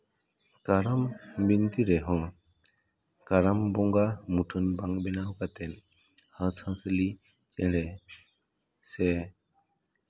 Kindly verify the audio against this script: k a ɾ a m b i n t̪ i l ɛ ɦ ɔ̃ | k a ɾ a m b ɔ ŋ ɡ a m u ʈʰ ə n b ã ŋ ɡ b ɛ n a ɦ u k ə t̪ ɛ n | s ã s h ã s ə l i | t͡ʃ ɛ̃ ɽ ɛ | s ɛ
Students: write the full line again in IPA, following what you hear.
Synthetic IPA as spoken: k a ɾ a m b i n t̪ i ɾ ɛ ɦ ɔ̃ | k a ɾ a m b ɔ ŋ ɡ a m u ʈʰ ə n b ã ŋ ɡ b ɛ n a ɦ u k a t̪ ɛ n | h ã s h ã s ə l i | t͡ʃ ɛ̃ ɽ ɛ | s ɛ